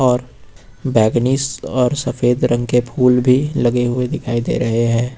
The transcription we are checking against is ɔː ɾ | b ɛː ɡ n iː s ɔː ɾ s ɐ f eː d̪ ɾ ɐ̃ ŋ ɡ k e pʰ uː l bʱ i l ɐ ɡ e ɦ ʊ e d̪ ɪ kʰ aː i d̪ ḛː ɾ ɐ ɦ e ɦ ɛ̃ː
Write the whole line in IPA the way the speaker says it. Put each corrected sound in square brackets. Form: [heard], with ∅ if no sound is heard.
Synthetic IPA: ɔː ɾ | b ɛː ɡ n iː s ɔː ɾ s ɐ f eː d̪ ɾ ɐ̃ ŋ ɡ k e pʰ uː l bʱ i l ɐ ɡ e ɦ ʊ e d̪ ɪ kʰ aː i d̪ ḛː ɾ ɐ ɦ e ɦ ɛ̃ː